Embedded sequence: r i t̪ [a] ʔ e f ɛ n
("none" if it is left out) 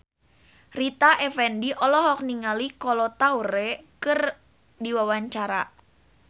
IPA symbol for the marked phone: a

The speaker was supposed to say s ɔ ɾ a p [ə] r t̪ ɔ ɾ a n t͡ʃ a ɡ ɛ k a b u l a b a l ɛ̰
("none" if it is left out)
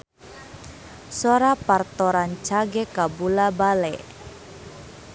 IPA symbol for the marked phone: a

